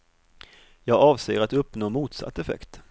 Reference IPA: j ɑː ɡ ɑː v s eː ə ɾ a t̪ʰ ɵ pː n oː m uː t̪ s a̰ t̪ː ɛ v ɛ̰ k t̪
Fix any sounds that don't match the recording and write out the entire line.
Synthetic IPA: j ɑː ɡ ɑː v s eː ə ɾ a t̪ ɵ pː n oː m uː t̪ s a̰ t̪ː ɛ f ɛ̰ k t̪